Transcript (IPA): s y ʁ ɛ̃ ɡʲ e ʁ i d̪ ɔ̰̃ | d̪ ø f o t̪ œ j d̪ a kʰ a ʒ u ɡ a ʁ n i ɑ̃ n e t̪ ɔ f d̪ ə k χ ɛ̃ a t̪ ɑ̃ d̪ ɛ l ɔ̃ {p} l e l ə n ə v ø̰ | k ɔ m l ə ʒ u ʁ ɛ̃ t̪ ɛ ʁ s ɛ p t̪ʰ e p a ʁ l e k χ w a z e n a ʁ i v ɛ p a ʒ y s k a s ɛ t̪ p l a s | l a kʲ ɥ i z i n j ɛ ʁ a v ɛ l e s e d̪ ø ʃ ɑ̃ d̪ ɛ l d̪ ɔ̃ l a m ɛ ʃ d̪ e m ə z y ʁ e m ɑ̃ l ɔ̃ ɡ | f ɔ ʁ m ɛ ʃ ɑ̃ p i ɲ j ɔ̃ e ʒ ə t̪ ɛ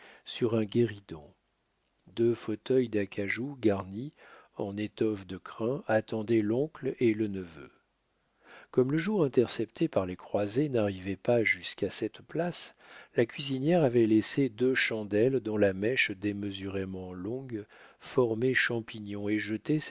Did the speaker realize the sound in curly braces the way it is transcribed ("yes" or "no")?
no